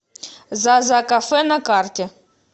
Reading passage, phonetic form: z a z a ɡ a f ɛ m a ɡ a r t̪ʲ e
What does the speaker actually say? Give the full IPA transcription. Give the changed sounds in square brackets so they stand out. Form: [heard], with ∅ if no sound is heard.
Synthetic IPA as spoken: z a z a [k] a f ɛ [n] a [k] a r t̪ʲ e